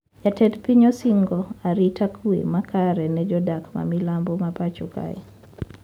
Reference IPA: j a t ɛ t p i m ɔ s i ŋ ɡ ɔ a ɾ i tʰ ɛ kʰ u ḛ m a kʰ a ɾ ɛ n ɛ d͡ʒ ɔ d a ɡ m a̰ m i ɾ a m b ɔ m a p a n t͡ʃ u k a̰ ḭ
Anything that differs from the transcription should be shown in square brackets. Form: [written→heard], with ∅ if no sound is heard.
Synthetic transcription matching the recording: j a t ɛ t p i [m→ɲ] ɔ s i ŋ ɡ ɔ a ɾ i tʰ [ɛ→a] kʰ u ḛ m a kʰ a ɾ ɛ n ɛ d͡ʒ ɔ d a [ɡ→k] m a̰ m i [ɾ→l] a m b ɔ m a p a [n→∅] t͡ʃ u k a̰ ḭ